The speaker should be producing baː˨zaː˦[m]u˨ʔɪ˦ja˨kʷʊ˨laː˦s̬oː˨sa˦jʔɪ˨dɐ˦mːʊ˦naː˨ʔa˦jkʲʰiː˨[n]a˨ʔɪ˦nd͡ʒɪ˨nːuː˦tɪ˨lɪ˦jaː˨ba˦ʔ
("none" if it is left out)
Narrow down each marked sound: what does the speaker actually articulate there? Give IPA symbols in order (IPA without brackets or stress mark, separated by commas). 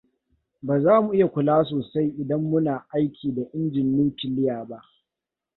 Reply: m, d